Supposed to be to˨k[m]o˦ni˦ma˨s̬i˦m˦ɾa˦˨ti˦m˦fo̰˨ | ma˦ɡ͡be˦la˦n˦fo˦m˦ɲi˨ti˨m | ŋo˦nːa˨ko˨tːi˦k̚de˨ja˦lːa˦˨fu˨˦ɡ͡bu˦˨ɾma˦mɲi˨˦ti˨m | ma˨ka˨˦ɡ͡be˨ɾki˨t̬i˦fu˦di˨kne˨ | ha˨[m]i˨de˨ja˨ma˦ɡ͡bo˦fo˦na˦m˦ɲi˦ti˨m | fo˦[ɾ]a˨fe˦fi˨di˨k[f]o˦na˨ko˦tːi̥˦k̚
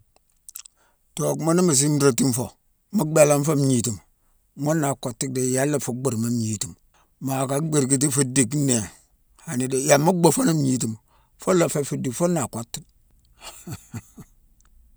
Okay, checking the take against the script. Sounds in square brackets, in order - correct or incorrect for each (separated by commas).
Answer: correct, incorrect, incorrect, correct